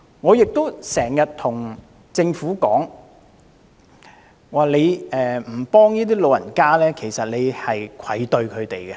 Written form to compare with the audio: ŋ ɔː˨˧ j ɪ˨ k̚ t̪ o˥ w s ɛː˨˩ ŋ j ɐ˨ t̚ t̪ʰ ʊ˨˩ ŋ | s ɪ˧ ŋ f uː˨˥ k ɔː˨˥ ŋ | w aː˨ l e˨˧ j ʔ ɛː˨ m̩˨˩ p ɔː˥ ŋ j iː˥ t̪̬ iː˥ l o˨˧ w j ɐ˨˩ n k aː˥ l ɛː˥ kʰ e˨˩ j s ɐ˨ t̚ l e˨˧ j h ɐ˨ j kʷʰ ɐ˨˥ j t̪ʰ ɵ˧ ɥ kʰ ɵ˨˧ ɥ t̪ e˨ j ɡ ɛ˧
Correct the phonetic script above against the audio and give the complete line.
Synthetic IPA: ŋ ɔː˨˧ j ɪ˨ k̚ t̪ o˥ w s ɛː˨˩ ŋ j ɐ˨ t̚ t̪ʰ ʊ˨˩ ŋ | t͡s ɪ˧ ŋ f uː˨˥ k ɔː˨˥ ŋ | w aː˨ l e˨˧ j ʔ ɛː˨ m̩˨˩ p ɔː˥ ŋ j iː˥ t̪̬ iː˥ l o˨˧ w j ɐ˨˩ n k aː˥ l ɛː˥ kʰ e˨˩ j s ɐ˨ t̚ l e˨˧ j h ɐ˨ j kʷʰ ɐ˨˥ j t̪ ɵ˧ ɥ kʰ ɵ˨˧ ɥ t̪ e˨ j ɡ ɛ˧

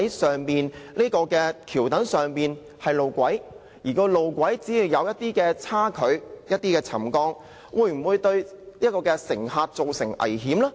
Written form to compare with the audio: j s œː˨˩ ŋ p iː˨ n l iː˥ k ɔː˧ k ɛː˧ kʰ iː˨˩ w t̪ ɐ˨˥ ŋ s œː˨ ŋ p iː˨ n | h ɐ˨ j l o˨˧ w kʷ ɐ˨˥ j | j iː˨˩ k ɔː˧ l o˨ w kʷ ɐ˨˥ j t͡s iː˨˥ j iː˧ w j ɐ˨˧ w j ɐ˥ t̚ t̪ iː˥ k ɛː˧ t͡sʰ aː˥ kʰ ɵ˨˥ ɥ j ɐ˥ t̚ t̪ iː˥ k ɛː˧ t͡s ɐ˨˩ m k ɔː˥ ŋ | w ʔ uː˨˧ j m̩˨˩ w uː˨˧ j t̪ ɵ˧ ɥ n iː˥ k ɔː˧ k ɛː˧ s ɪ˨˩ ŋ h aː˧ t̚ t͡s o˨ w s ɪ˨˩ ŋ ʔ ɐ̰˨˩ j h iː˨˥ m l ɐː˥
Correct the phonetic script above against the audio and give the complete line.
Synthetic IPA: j s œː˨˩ ŋ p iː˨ n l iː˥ k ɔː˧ k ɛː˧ kʰ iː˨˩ w t̪ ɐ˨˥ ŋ s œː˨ ŋ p iː˨ n | h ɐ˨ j l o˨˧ w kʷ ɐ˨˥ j | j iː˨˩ k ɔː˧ l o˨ w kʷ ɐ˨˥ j t͡s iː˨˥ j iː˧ w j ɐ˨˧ w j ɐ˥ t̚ t̪ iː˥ k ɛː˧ t͡sʰ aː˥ kʰ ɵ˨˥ ɥ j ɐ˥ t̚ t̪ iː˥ k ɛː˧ t͡sʰ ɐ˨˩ m k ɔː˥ ŋ | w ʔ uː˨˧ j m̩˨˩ w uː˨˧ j t̪ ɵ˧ ɥ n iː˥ k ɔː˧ k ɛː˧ s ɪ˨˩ ŋ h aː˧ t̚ t͡s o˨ w s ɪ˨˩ ŋ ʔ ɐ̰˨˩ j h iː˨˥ m l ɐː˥

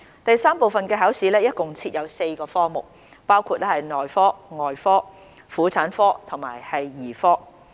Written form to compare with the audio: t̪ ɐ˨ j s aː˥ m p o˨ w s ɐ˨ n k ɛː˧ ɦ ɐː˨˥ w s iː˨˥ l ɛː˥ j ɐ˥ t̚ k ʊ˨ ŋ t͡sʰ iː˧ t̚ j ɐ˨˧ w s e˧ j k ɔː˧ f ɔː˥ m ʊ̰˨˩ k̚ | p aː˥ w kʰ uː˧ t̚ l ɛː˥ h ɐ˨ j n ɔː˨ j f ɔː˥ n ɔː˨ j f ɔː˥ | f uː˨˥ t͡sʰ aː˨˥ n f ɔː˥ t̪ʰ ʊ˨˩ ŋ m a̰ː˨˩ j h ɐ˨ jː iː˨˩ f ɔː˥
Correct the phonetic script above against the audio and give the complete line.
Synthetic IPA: t̪ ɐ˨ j s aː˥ m p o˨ w f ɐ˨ n k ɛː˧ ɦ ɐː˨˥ w s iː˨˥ l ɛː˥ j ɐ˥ t̚ k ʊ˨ ŋ t͡sʰ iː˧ t̚ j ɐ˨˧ w s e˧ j k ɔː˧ f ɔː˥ m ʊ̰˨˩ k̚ | p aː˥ w kʰ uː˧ t̚ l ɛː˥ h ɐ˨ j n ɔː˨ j f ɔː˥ ŋ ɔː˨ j f ɔː˥ | f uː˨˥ t͡sʰ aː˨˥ n f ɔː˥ t̪ʰ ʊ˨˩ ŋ m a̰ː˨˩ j h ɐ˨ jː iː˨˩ f ɔː˥

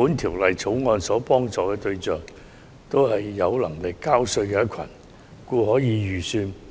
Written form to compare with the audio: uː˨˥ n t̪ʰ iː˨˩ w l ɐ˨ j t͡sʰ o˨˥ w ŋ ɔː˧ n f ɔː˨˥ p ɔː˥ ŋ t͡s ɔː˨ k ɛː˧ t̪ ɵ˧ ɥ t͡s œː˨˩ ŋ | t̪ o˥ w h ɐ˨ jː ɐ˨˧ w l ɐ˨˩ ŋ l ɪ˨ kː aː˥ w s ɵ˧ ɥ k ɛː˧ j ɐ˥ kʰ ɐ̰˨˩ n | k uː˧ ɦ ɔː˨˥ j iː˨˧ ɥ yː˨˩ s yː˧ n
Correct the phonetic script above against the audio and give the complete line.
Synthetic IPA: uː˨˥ n t̪ʰ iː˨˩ w l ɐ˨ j t͡sʰ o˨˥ w ŋ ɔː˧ n s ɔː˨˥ p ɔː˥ ŋ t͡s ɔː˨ k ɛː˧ t̪ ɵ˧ ɥ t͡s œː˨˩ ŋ | t̪ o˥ w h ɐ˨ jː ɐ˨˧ w l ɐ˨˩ ŋ l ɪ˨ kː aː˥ w s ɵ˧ ɥ k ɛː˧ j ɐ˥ kʰ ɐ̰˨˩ n | k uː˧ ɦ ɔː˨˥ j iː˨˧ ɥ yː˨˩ s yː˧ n

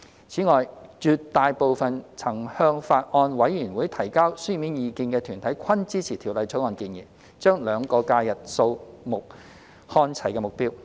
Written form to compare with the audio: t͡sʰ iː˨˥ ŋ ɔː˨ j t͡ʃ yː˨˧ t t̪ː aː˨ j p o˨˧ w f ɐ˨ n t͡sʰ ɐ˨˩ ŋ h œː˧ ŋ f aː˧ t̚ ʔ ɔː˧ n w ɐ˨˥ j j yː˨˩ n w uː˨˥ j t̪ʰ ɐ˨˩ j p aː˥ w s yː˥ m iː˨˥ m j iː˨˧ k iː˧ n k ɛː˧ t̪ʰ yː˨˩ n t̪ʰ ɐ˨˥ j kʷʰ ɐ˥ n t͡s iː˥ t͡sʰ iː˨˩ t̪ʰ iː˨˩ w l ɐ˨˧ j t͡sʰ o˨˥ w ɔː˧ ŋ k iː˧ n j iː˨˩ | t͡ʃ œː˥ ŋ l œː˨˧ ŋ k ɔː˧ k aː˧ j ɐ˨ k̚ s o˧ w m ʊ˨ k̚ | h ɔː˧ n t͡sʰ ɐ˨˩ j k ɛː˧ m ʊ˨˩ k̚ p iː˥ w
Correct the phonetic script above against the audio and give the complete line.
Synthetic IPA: t͡sʰ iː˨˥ ŋ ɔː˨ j t͡ʃ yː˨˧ t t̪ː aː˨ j p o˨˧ w f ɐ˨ n t͡sʰ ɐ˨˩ ŋ h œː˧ ŋ f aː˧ t̚ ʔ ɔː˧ n w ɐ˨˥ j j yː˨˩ n w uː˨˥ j t̪ʰ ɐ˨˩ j k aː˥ w s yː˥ m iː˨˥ n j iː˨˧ k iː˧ n k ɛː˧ t̪ʰ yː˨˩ n t̪ʰ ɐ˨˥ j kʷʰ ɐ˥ n t͡s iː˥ t͡sʰ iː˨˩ t̪ʰ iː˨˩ w l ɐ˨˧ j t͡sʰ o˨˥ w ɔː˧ n k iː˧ n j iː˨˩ | t͡ʃ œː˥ ŋ l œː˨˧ ŋ k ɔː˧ k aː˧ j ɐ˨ t̚ s o˧ w m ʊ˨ k̚ | h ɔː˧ n t͡sʰ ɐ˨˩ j k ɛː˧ m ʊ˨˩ k̚ p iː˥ w

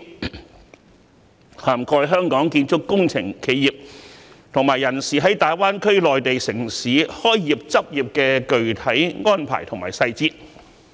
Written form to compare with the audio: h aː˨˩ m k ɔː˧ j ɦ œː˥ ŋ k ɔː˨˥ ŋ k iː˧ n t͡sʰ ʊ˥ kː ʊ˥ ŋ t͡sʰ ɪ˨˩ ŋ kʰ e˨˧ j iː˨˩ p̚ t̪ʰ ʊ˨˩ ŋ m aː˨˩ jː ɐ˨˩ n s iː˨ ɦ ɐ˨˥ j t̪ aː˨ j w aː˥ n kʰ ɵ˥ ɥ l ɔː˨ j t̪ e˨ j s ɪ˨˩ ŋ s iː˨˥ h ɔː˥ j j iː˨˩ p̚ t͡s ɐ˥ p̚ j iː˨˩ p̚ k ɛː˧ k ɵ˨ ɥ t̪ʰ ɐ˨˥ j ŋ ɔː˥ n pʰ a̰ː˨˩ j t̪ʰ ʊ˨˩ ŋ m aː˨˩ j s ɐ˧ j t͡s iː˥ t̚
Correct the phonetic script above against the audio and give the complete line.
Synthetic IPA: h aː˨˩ m k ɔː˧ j ɦ œː˥ ŋ k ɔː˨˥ ŋ k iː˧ n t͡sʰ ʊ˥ kː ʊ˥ ŋ t͡sʰ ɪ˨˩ ŋ kʰ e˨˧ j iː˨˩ p̚ t̪ʰ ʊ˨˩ ŋ m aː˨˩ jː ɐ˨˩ n s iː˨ ɦ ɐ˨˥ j t̪ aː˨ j w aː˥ n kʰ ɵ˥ ɥ l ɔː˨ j t̪ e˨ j s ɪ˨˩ ŋ s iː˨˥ h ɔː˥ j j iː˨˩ p̚ t͡s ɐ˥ p̚ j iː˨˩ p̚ k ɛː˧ k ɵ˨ ɥ t̪ʰ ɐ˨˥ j ŋ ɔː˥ n pʰ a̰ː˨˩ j t̪ʰ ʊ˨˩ ŋ m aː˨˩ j s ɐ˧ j t͡s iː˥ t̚

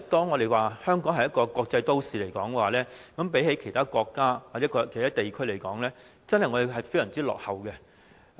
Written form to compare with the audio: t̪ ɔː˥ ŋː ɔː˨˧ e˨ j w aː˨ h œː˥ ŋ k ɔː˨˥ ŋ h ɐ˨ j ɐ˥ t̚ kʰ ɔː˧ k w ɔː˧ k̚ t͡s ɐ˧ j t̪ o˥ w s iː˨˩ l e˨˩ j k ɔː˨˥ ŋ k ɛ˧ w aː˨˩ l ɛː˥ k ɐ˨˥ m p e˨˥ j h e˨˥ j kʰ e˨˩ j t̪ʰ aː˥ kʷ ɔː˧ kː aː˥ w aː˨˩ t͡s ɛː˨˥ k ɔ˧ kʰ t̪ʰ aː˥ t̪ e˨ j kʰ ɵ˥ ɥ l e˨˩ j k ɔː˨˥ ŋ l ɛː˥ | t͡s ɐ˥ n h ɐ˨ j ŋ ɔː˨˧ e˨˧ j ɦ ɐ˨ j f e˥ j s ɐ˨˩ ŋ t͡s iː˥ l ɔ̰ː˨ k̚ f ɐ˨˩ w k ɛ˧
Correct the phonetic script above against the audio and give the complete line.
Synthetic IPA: t̪ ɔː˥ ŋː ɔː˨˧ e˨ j w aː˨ h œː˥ ŋ k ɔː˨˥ ŋ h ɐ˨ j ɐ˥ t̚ k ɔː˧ k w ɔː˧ k̚ t͡s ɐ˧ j t̪ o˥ w s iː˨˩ l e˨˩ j k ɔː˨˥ ŋ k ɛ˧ w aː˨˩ l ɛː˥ k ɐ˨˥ m p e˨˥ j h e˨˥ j kʰ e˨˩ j t̪ʰ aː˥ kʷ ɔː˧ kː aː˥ w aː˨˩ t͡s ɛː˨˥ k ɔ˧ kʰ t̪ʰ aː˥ t̪ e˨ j kʰ ɵ˥ ɥ l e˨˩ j k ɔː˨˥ ŋ l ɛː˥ | t͡s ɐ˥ n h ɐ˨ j ŋ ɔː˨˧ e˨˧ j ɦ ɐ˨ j f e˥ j s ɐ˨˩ ŋ t͡s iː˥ l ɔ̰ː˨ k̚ h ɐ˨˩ w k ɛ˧

